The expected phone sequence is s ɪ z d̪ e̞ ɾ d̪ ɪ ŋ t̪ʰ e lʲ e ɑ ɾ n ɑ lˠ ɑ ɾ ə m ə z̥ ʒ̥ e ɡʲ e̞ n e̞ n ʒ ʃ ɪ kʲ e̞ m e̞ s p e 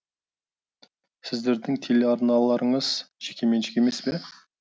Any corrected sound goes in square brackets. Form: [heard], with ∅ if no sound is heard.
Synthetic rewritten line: s ɪ z d̪ e̞ ɾ d̪ ɪ ŋ t̪ʰ e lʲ e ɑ ɾ n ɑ lˠ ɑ ɾ ə [ɴ] ə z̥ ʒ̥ e [kʲ] e̞ [m] e̞ n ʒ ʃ ɪ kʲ e̞ m e̞ s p e